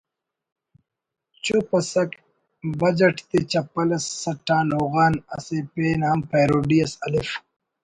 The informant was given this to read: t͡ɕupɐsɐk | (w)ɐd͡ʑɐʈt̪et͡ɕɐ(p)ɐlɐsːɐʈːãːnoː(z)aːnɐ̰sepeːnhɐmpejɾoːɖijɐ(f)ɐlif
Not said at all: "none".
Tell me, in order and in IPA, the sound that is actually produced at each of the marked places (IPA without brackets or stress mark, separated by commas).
b, p, ɣ, s